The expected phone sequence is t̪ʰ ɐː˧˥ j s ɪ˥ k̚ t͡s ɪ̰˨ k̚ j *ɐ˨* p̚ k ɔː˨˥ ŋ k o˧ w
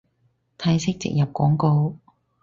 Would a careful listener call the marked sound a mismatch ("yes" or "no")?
no